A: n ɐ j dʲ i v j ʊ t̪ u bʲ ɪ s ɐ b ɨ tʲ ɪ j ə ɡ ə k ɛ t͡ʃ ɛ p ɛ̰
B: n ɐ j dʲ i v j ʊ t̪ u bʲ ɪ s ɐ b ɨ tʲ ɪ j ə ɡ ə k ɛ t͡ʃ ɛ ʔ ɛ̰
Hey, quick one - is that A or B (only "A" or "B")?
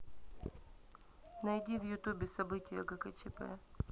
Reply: A